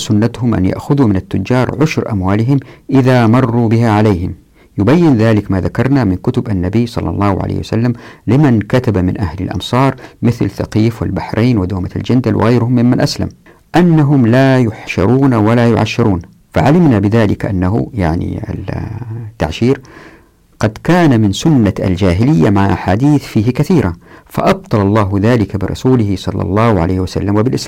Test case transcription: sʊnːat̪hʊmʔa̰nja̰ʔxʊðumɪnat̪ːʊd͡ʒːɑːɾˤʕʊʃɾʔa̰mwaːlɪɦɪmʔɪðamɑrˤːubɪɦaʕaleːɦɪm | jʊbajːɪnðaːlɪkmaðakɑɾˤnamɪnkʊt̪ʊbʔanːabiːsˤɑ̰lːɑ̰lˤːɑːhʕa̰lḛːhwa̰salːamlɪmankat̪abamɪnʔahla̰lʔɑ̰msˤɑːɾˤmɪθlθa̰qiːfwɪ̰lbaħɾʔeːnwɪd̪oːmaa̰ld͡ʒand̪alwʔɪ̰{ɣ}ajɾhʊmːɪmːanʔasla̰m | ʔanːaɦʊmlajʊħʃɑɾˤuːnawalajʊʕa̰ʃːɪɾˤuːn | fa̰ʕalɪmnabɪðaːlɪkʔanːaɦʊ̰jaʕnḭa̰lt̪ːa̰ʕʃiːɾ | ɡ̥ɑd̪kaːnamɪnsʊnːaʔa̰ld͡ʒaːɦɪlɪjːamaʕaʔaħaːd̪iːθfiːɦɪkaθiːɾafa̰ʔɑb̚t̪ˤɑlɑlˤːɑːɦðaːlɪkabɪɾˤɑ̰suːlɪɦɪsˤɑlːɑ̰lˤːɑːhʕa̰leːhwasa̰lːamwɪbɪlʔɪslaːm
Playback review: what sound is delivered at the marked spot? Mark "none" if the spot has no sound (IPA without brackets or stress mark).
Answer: ɣ